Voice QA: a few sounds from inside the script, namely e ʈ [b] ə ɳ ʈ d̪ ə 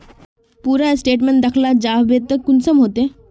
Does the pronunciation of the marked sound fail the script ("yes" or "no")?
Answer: yes